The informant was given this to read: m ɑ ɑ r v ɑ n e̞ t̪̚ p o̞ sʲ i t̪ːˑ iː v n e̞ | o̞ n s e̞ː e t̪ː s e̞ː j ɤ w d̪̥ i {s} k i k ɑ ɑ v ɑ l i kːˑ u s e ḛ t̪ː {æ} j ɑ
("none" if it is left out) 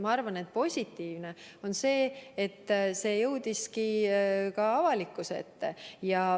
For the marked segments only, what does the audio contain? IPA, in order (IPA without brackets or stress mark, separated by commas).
s, e